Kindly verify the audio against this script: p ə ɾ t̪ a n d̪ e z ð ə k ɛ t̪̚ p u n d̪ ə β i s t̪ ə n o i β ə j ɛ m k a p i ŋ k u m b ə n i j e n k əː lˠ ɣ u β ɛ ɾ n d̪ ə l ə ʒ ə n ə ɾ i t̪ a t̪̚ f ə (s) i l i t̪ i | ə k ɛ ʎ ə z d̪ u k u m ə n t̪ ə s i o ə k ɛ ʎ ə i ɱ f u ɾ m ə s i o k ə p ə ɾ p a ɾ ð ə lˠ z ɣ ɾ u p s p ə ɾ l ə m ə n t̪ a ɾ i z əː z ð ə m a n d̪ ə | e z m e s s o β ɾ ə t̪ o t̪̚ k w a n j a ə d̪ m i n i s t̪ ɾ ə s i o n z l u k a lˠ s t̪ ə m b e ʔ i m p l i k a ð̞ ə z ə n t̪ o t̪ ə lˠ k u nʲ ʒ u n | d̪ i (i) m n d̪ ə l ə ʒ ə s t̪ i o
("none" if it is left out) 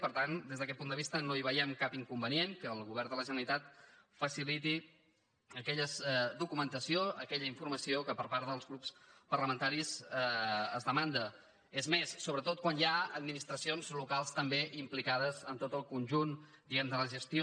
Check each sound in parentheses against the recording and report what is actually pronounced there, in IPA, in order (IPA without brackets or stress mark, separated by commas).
s, ɛ